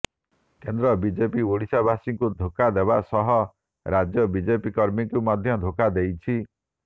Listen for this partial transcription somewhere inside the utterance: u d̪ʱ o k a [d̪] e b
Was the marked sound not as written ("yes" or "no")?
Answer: no